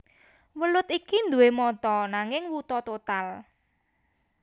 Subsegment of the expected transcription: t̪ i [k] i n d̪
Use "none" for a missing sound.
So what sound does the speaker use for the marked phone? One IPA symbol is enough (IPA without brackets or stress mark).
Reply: k